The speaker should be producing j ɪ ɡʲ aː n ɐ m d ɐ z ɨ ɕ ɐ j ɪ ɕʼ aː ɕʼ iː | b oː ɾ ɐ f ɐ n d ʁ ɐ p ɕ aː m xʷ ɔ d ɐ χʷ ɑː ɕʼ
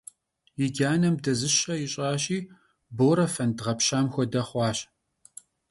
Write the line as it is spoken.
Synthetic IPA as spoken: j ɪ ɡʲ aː n ɐ m d ɐ z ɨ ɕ ɐ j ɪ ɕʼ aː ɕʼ iː | b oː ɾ ɐ f ɐ n d ʁ ɐ p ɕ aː m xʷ ɔ d ɐ χʷ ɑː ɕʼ